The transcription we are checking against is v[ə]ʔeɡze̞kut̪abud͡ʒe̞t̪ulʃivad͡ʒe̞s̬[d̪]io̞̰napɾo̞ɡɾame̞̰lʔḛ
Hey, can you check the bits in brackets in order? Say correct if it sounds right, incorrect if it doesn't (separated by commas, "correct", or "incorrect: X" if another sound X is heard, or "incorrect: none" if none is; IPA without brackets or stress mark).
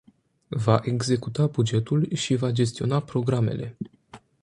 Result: incorrect: a, incorrect: t̪